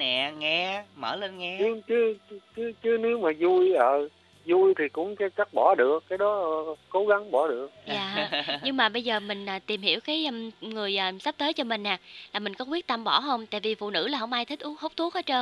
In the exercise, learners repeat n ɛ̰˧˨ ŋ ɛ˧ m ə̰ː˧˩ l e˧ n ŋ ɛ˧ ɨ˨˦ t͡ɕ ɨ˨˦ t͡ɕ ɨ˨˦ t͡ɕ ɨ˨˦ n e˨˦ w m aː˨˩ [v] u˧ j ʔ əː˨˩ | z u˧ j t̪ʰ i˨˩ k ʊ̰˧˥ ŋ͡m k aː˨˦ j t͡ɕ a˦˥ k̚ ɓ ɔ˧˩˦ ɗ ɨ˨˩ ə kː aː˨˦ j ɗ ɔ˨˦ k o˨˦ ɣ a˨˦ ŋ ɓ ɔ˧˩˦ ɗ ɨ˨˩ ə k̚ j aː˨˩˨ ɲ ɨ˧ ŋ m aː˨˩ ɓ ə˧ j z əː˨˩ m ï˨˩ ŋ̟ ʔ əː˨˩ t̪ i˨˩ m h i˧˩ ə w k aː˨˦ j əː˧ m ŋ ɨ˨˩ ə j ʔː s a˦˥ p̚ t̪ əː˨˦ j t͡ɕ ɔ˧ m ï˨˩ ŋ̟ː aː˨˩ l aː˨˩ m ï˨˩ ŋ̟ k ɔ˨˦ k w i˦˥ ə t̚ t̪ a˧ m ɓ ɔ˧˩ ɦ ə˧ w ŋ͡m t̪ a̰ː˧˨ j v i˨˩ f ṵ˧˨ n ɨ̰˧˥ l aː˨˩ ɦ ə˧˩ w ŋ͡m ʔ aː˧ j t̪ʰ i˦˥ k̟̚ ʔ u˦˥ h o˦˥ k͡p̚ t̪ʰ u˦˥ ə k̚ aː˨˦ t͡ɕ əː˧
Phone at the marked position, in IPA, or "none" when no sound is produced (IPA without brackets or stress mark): z